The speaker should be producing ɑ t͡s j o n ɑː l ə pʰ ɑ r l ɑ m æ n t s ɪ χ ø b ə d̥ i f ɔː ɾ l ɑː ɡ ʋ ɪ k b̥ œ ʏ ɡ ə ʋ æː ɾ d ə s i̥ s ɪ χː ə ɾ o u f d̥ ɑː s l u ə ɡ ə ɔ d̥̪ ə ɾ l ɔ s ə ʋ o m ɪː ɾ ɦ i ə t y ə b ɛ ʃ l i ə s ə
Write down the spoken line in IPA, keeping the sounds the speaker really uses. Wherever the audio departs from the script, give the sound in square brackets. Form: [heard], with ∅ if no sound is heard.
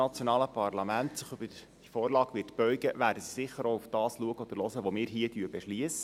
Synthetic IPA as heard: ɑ t͡s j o n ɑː l ə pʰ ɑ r l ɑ m æ n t s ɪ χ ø b ə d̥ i f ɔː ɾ l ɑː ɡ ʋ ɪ [t] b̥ œ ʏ ɡ ə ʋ æː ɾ d ə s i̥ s ɪ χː ə ɾ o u f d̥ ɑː s l u ə ɡ ə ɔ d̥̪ ə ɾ l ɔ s ə ʋ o m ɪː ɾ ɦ i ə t y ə b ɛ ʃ l i ə s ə